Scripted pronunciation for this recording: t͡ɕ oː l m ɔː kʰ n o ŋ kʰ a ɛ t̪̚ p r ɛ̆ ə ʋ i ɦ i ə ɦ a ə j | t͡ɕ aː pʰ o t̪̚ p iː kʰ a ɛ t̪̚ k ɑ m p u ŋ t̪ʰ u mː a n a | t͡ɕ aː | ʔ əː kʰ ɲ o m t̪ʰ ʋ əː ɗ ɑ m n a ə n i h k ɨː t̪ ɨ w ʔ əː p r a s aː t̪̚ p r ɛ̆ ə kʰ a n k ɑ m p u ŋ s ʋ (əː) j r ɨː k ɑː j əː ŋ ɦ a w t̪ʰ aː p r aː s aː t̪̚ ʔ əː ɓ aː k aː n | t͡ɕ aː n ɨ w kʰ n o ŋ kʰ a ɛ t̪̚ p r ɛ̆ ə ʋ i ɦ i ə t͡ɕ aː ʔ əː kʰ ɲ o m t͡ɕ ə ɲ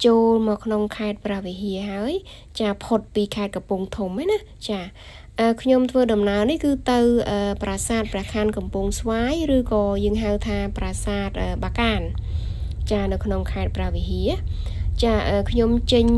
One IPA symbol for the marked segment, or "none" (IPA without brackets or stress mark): aː